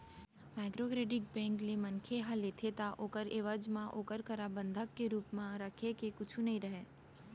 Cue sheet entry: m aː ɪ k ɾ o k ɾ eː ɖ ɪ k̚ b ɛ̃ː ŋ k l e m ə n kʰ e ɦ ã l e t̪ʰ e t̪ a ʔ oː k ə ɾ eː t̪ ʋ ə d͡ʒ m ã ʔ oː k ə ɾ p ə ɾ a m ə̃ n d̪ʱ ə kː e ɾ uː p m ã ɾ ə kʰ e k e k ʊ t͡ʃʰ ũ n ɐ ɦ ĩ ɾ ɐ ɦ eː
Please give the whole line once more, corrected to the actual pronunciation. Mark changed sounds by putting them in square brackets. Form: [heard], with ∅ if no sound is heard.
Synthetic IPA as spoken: m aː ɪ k ɾ o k ɾ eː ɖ ɪ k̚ b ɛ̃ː ŋ k l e m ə n kʰ e ɦ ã l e t̪ʰ e t̪ a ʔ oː k ə ɾ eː [∅] ʋ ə d͡ʒ m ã ʔ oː k ə ɾ [k] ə ɾ a [b] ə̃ n d̪ʱ ə kː e ɾ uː p m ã ɾ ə kʰ e k e k ʊ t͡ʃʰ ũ n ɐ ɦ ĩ ɾ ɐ ɦ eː